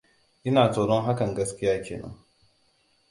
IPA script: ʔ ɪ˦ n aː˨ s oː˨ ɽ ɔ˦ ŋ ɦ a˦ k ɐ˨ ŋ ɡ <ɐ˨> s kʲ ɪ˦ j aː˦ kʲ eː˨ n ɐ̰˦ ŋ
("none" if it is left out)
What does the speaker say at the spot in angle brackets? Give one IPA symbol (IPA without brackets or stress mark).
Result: ɐ˦